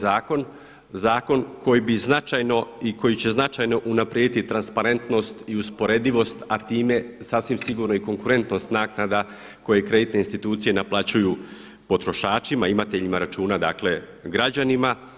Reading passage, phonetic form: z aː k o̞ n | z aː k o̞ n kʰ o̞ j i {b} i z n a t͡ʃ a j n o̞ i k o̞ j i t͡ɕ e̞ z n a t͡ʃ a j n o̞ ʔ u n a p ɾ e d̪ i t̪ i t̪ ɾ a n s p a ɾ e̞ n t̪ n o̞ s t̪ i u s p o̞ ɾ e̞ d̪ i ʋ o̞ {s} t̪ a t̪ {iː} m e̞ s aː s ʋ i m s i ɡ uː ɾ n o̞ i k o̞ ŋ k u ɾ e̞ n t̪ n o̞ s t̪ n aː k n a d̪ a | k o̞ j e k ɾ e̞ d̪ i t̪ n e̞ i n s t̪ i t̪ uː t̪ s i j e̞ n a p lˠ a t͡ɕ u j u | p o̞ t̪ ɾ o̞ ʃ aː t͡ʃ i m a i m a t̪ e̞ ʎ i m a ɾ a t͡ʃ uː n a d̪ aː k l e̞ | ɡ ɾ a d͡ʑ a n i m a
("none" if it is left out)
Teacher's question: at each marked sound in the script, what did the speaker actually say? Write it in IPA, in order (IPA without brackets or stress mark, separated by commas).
b, s, iː